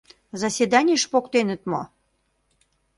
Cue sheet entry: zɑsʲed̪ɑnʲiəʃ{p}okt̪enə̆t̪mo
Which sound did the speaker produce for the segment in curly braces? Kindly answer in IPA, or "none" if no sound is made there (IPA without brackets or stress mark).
p